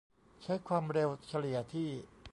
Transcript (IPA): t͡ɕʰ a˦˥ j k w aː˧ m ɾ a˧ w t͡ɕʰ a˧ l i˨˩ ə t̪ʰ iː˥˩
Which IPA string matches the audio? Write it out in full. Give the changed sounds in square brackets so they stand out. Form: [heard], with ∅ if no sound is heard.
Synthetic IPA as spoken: t͡ɕʰ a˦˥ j [kʰ] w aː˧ m ɾ [e˧] w t͡ɕʰ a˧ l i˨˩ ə t̪ʰ iː˥˩